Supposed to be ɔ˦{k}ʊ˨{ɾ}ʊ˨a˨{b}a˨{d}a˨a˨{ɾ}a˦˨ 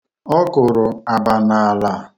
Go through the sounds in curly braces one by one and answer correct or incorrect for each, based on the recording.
correct, correct, correct, incorrect: n, incorrect: l

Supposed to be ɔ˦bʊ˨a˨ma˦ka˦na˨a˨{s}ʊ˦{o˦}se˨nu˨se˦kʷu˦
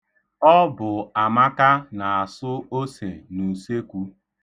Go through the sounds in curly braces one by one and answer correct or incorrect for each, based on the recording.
correct, correct

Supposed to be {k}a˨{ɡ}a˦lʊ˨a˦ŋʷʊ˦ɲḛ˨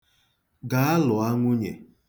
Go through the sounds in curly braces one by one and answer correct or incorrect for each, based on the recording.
incorrect: ɡ, incorrect: none

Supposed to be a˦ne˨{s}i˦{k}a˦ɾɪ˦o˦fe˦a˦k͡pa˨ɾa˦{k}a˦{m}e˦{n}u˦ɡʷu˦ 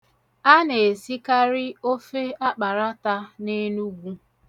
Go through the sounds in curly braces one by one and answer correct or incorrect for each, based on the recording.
correct, correct, incorrect: t, incorrect: n, correct

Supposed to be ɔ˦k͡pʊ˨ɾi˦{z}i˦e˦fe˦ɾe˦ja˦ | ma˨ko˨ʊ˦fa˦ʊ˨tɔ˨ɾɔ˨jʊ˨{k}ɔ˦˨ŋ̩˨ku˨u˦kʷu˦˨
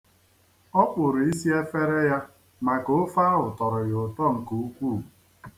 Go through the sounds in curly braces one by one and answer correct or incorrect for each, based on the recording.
incorrect: s, incorrect: t

